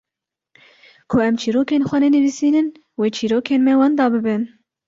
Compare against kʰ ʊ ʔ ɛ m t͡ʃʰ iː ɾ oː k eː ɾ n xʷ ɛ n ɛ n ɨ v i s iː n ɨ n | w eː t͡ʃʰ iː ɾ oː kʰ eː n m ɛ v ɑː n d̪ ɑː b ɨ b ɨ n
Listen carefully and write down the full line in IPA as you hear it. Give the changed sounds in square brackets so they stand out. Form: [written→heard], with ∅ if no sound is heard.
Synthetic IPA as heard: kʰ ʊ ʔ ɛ m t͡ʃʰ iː ɾ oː k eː [ɾ→∅] n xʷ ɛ n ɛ n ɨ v i s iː n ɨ n | w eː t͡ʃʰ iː ɾ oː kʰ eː n m ɛ [v→w] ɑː n d̪ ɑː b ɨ b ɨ n